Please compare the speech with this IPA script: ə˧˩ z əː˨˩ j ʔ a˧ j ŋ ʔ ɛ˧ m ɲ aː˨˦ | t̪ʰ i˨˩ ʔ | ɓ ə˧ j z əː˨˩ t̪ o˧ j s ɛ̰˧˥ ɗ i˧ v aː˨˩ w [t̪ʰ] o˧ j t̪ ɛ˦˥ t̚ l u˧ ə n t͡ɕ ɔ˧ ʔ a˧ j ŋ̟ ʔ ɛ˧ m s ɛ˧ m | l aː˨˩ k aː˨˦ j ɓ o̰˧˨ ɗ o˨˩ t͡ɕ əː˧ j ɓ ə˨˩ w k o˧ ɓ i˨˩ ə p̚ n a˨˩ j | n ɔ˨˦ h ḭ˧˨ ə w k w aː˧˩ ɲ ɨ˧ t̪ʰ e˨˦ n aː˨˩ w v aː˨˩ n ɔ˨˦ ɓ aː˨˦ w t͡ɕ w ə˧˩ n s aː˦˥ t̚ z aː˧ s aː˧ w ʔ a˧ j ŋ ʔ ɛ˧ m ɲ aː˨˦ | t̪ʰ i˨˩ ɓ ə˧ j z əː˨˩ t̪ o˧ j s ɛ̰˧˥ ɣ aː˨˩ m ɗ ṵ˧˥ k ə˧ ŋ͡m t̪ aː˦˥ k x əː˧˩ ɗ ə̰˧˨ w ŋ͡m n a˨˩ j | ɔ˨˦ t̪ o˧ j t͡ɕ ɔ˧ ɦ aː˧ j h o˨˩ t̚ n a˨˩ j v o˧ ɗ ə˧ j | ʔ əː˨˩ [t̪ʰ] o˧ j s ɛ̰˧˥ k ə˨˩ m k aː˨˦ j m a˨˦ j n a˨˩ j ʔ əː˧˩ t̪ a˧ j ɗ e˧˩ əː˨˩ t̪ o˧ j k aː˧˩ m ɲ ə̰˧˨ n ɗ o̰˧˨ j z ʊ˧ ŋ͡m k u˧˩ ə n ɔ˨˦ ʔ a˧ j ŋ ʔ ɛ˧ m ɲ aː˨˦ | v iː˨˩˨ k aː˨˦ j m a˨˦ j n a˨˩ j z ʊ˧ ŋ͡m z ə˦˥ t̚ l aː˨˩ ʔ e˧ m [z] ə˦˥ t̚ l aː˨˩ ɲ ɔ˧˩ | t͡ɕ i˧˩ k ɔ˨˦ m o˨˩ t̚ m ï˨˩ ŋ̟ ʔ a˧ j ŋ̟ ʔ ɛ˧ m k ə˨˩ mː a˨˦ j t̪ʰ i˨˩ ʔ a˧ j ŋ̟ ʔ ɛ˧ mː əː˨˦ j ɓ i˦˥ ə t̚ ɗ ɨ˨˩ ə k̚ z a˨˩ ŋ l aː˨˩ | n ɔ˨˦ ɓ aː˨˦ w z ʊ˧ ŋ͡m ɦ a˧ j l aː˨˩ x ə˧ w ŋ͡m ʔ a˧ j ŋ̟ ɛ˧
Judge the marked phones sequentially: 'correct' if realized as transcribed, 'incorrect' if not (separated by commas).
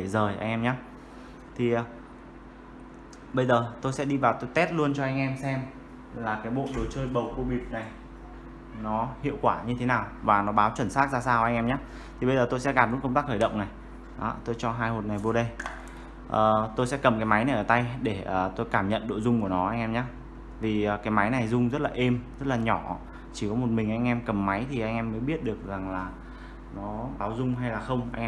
incorrect, incorrect, correct